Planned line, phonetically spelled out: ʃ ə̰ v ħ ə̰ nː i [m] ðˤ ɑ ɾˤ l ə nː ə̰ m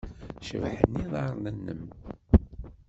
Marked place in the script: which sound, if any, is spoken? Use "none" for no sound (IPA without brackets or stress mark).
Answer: none